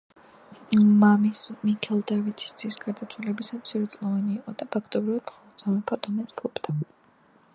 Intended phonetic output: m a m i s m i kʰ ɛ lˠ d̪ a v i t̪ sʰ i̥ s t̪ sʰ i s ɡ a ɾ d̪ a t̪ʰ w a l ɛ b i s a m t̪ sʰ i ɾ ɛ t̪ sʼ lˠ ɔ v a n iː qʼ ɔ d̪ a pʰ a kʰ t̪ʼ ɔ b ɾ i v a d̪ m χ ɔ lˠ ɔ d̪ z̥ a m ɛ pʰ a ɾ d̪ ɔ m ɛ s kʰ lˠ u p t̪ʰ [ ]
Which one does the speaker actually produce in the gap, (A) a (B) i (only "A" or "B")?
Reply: A